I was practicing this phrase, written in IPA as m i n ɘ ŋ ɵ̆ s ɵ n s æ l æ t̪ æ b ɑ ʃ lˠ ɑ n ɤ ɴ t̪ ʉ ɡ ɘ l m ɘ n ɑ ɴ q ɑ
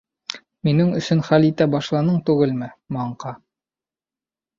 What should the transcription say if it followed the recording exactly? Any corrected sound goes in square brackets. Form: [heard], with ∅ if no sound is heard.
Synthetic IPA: m i n ɘ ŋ ɵ̆ s ɵ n [χ] æ l [i] t̪ æ b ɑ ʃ lˠ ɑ n ɤ ɴ t̪ ʉ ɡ ɘ l m ɘ [m] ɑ ɴ q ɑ